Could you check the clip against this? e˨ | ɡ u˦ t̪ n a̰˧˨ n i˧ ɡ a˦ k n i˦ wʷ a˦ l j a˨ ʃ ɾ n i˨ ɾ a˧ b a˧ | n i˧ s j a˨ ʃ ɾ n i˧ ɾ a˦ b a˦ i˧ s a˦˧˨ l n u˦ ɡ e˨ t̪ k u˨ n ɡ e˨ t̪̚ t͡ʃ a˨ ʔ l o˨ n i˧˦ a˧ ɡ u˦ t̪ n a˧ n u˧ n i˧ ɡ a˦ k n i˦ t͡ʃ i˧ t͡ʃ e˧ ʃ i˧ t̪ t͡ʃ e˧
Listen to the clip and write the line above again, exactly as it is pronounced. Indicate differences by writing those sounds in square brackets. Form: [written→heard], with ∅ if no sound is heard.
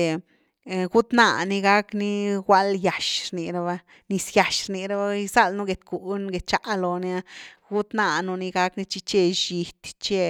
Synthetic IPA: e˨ | ɡ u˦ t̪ n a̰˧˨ n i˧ ɡ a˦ k n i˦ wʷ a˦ l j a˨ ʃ ɾ n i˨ ɾ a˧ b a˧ | n i˧ s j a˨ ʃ ɾ n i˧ ɾ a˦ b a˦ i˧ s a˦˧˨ l n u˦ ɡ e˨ t̪ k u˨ n ɡ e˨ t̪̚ t͡ʃ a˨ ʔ l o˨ n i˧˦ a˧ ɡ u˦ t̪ n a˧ n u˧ n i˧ ɡ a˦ k n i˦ t͡ʃ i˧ t͡ʃ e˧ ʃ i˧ t̪ t͡ʃ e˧